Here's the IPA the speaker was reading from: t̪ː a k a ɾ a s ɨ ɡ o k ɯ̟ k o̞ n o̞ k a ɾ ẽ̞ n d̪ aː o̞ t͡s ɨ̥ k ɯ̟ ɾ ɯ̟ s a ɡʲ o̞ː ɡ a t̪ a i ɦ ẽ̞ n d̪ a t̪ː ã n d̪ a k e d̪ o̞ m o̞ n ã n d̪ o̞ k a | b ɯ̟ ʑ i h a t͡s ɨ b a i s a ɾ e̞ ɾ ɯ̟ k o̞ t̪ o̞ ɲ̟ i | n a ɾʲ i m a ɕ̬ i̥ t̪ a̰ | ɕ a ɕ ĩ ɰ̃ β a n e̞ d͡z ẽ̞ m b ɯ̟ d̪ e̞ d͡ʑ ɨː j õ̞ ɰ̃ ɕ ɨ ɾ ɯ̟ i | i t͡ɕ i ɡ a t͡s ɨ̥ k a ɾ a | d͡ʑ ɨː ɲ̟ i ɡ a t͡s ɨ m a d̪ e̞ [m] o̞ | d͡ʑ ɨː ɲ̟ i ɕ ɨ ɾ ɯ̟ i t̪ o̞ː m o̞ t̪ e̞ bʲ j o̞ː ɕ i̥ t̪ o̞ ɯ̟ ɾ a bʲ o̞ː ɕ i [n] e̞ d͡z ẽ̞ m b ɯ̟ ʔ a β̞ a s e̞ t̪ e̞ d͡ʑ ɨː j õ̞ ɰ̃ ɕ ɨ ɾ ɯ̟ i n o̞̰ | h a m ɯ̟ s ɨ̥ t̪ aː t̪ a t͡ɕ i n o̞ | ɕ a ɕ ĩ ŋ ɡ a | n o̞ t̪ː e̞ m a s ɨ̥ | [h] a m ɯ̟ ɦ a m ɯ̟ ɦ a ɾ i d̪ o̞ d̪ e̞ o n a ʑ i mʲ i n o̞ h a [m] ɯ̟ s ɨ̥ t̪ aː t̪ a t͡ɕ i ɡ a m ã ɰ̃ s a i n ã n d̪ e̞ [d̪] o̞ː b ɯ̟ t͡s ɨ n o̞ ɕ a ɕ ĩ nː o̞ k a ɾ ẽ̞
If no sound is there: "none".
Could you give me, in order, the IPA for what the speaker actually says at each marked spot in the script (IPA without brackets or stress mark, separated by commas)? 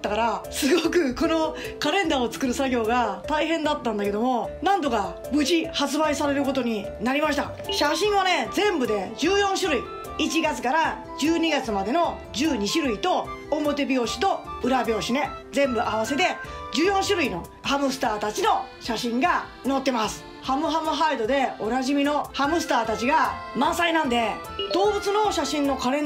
n, n, h, m, d̪